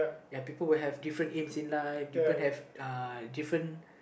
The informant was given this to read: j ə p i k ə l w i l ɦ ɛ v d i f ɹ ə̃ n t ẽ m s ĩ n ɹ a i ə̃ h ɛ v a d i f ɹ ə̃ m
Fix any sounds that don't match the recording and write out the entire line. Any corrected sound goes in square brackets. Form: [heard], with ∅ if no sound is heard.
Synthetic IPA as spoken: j [a] p i [p] ə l w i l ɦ ɛ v d i f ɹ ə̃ n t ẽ m s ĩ n [l] a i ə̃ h ɛ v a d i f ɹ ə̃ [n]